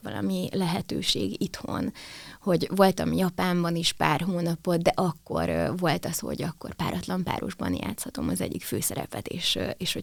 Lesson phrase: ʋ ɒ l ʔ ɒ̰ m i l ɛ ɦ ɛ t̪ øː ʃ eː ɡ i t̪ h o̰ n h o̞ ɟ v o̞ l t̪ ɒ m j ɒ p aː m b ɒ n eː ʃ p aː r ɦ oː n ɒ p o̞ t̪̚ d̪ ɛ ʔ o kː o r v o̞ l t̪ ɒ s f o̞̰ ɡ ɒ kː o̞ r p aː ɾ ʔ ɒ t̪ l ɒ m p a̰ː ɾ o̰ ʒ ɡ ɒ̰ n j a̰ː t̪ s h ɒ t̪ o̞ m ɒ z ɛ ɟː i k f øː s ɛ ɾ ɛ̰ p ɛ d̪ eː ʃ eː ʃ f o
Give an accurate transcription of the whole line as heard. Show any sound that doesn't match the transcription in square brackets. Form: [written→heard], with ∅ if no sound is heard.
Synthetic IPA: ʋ ɒ l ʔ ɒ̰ m i l ɛ ɦ ɛ t̪ øː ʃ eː ɡ i t̪ h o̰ n h o̞ ɟ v o̞ l t̪ ɒ m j ɒ p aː m b ɒ n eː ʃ p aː r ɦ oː n ɒ p o̞ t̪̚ d̪ ɛ ʔ [o→ɒ] kː o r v o̞ l t̪ ɒ s [f→h] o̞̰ [ɡ→ɟ] ɒ kː o̞ r p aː ɾ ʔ ɒ t̪ l ɒ m p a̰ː ɾ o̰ ʒ [ɡ→b] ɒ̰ n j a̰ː t̪ s h ɒ t̪ o̞ m ɒ z ɛ ɟː i k f øː s ɛ ɾ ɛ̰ p ɛ [d̪→t̪] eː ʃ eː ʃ [f→h] o